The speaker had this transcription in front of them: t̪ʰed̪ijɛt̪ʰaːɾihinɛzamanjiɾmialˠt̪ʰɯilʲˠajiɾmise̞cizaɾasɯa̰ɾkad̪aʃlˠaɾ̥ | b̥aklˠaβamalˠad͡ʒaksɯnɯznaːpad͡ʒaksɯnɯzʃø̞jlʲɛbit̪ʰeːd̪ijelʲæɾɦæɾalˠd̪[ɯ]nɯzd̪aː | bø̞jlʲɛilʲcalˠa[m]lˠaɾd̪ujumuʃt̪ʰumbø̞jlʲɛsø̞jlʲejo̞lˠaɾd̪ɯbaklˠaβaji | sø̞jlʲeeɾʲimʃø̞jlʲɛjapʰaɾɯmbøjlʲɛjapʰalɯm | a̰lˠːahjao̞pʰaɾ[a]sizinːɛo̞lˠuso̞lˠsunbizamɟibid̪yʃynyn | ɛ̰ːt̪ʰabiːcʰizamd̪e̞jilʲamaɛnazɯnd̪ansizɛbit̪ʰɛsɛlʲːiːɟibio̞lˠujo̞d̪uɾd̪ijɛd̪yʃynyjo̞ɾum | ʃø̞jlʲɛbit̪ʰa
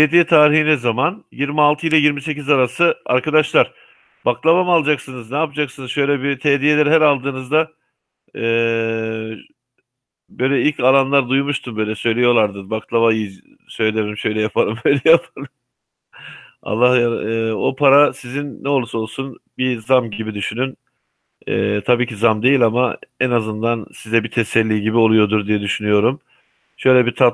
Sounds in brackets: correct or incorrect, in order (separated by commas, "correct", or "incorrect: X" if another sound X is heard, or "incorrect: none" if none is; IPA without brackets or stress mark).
incorrect: ɯː, incorrect: n, correct